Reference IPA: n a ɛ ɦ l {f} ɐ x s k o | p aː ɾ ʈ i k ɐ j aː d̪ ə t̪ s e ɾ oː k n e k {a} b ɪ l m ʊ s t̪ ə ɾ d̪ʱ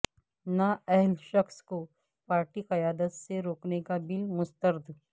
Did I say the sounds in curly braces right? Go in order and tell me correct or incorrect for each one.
incorrect: ʃ, correct

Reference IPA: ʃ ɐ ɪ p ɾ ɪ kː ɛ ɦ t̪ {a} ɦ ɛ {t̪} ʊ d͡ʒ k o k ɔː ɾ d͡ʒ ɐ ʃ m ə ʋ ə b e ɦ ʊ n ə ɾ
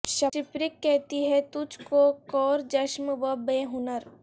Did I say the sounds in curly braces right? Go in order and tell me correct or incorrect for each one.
incorrect: i, correct

